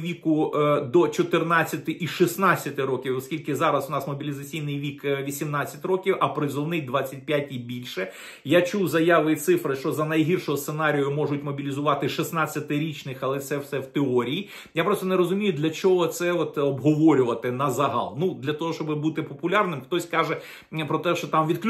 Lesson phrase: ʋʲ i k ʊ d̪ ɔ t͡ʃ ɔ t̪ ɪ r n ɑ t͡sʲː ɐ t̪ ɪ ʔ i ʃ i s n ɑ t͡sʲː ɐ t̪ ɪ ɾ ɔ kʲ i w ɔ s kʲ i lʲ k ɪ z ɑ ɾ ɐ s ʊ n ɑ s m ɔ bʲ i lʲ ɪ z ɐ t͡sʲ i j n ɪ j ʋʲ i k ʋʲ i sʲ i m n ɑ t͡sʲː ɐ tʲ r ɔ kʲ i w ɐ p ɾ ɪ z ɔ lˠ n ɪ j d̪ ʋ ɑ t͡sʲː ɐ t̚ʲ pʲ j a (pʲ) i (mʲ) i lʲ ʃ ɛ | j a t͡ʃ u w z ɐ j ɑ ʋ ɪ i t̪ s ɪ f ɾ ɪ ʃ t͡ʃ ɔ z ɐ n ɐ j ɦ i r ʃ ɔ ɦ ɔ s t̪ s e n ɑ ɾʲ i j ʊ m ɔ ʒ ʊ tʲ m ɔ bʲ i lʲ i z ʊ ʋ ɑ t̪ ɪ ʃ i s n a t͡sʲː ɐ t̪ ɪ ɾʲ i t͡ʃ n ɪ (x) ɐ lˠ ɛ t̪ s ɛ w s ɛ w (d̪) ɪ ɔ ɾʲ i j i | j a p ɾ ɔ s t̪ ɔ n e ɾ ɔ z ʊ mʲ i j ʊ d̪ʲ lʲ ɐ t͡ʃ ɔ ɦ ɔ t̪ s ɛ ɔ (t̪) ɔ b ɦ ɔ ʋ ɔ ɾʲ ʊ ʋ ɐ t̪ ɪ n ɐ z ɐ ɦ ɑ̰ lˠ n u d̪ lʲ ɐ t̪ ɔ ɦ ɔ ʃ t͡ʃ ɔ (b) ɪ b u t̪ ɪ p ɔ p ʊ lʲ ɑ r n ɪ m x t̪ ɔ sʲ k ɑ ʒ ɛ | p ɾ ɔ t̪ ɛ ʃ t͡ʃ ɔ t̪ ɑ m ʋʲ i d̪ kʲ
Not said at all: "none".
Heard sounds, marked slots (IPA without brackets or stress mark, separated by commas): tʲ, bʲ, x, t̪, t̪, b